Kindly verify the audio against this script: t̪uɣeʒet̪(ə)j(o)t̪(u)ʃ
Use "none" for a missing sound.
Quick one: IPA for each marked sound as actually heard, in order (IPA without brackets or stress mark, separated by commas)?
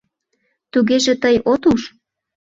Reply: ə, o, u